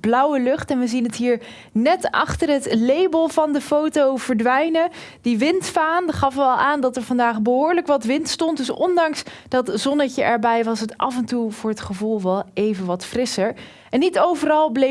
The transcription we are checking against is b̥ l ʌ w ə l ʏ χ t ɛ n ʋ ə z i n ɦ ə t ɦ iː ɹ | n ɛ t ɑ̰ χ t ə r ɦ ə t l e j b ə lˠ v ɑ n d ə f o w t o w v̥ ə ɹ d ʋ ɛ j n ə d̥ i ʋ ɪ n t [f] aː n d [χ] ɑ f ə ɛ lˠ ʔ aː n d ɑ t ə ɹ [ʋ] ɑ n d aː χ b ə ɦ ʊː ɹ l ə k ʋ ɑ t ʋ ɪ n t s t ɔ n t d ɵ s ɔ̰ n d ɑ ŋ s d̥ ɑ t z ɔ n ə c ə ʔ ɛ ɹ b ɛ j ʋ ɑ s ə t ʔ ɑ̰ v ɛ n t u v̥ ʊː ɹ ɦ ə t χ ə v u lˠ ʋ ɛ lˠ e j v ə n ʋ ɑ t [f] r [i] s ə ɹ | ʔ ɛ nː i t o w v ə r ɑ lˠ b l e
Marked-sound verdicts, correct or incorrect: correct, correct, incorrect: v, correct, incorrect: ɪ

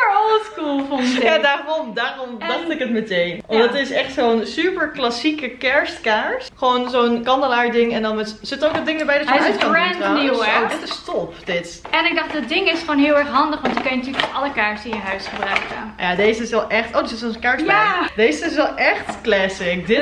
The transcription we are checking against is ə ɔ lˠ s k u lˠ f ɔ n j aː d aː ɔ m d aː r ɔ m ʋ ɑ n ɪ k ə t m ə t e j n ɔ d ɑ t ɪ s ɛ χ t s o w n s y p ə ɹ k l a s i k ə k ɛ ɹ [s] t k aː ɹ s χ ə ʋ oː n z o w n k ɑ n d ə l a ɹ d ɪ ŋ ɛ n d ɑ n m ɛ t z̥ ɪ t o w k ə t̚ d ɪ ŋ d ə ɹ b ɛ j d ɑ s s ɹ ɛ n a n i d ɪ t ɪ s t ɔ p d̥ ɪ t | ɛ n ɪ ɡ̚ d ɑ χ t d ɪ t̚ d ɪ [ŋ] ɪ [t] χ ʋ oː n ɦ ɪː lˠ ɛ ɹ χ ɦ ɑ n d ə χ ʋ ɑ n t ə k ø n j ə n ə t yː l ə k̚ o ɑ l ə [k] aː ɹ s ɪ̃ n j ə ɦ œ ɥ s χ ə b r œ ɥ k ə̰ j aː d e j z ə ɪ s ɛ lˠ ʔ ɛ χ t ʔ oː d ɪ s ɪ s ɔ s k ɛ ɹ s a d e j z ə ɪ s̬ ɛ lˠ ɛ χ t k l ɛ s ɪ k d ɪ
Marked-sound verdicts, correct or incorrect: correct, correct, incorrect: s, correct

